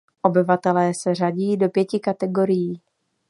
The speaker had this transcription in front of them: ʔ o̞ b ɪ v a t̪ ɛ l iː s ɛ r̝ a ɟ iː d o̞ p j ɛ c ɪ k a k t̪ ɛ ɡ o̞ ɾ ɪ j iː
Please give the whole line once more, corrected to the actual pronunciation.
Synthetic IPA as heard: ʔ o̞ b ɪ v a t̪ ɛ l ɛː s ɛ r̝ a ɟ iː d o̞ p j ɛ c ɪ k a t̪ ɛ ɡ o̞ ɾ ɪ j iː